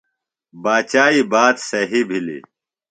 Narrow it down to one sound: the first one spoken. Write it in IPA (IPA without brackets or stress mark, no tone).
b